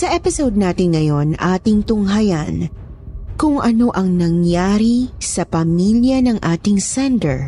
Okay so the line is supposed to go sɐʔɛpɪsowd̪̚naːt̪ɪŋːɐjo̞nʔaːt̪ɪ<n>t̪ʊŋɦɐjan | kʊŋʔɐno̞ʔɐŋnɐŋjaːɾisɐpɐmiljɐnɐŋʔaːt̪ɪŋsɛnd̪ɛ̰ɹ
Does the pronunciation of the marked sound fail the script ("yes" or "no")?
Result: yes